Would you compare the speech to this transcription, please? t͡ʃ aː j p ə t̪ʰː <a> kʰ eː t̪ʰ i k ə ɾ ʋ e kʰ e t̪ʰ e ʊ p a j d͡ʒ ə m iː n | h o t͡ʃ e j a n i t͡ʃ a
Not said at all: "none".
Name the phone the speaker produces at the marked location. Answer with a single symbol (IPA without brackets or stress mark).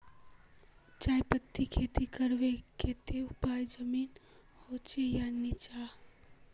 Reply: i